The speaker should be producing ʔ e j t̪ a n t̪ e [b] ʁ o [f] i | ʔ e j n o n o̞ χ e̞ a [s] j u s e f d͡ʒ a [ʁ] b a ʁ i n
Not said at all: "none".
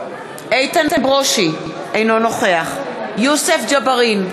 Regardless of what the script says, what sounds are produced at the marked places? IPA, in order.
b, ʃ, χ, none

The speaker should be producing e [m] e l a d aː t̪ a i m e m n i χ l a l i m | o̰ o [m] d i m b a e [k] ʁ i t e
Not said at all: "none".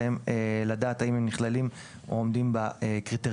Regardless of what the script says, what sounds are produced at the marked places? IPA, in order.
m, m, k

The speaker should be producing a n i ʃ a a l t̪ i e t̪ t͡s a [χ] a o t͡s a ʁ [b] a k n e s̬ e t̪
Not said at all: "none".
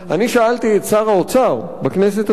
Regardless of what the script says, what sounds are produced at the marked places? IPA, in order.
ʁ, b

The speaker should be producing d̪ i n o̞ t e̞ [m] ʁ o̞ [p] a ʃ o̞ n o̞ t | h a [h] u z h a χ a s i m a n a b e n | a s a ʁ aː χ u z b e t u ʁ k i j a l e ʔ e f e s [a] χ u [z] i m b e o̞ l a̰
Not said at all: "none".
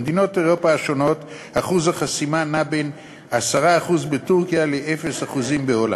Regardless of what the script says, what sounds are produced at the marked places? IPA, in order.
none, p, χ, a, z

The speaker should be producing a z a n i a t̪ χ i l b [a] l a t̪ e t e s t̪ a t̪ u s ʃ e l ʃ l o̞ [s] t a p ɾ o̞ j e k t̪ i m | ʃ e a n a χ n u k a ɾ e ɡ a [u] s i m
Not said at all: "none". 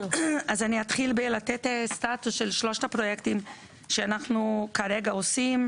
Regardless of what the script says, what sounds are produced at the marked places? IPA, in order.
e, ʃ, o

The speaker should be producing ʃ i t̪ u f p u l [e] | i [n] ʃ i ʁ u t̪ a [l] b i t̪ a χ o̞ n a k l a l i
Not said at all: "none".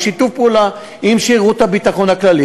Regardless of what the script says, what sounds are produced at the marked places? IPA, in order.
a, m, none

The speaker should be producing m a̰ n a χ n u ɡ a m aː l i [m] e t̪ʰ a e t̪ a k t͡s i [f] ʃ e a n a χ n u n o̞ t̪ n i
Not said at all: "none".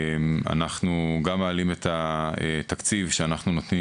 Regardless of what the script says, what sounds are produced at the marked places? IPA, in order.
m, v

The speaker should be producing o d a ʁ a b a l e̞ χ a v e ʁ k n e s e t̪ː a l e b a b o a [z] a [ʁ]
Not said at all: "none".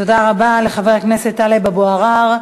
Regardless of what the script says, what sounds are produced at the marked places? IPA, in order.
ʁ, ʁ

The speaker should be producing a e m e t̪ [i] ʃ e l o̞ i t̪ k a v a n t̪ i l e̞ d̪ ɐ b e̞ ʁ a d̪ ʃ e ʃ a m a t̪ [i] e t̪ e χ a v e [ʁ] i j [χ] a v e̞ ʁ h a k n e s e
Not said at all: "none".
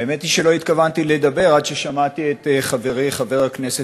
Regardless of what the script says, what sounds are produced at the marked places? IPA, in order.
i, i, ʁ, χ

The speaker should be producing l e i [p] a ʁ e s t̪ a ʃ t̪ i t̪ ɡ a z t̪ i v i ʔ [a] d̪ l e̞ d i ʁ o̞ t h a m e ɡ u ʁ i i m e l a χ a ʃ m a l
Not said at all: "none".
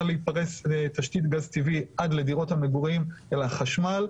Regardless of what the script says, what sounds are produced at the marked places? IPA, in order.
p, a

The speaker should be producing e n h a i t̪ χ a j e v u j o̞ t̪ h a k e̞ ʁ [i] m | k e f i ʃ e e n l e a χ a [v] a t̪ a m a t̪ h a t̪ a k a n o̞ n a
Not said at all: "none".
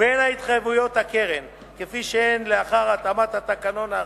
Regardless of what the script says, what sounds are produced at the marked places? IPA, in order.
e, ʁ

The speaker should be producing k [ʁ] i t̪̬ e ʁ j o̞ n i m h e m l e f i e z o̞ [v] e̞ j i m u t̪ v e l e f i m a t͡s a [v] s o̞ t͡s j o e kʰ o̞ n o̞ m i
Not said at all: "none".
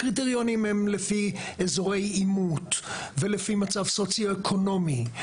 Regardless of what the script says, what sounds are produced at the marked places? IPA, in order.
ʁ, ʁ, v

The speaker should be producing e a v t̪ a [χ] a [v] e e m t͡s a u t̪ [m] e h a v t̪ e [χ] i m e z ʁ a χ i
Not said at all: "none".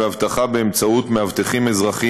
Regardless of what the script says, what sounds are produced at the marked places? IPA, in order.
χ, b, m, χ

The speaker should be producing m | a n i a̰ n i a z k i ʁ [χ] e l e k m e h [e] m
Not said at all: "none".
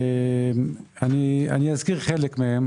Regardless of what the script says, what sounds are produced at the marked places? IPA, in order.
χ, e

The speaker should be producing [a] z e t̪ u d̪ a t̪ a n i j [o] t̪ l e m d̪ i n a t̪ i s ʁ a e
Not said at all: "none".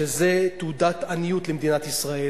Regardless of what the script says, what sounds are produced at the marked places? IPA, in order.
e, u

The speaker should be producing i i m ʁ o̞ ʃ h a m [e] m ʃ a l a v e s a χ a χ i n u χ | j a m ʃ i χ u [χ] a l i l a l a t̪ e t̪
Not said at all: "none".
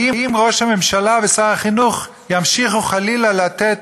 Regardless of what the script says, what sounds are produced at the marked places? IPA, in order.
e, χ

